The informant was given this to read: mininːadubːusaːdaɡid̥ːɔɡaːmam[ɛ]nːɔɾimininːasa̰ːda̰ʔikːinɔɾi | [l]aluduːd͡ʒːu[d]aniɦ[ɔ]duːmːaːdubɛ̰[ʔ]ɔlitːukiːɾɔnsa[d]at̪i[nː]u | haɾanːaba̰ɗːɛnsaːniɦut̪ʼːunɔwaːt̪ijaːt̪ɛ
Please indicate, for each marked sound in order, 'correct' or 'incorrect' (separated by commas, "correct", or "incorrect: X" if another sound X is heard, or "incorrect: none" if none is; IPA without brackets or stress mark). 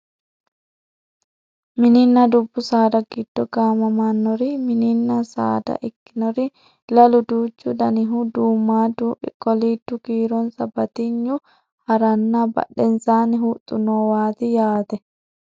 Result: incorrect: a, correct, correct, incorrect: u, incorrect: k, incorrect: b, incorrect: ɲː